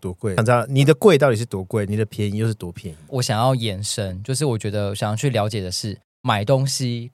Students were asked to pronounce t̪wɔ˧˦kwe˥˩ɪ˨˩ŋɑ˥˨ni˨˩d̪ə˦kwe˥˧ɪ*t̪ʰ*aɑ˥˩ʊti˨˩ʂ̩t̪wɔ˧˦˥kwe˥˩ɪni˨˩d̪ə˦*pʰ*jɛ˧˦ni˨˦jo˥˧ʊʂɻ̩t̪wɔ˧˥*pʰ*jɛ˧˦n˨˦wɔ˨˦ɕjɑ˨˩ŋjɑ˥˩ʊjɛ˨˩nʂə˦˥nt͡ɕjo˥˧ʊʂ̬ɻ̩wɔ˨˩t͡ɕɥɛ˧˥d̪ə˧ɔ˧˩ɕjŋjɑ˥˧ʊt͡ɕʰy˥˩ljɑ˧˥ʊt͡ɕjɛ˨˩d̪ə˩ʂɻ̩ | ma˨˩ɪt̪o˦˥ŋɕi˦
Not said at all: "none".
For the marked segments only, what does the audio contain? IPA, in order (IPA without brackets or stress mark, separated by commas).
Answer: t̪, pʰ, pʰ